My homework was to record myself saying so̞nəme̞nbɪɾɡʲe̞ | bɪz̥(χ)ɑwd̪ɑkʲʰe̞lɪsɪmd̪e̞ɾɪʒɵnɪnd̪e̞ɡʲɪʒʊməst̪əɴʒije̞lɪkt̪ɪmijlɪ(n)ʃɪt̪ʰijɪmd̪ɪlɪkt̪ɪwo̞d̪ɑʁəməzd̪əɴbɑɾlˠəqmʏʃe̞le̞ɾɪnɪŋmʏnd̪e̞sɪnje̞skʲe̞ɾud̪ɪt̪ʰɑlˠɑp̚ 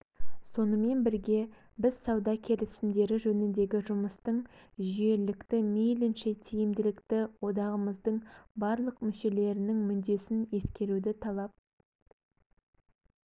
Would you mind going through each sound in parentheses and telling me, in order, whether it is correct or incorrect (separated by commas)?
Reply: incorrect, correct